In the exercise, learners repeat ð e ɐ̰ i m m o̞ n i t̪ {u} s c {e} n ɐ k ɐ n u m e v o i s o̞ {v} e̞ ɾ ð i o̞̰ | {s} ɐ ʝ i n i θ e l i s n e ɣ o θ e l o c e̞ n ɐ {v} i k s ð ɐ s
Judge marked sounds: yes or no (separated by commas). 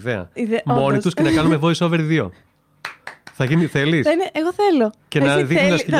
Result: yes, yes, yes, no, no